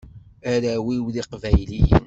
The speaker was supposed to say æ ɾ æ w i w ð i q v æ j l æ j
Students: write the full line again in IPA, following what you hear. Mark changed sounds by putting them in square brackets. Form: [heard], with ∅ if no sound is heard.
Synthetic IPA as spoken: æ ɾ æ w i w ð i q v æ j l [i] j